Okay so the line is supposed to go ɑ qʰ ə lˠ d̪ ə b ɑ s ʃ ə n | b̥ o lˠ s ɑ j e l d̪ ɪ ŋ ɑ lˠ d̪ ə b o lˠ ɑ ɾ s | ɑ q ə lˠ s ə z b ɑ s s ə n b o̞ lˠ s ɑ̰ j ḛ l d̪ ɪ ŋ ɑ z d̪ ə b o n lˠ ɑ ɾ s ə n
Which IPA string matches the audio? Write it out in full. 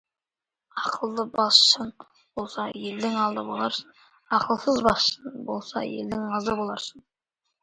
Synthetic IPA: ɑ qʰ ə lˠ d̪ ə b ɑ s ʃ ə n | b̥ o lˠ s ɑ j e l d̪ ɪ ŋ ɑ lˠ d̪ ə b o lˠ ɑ ɾ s | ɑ q ə lˠ s ə z b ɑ s ʃ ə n b o̞ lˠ s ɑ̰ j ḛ l d̪ ɪ ŋ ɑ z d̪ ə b o lˠ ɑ ɾ s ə n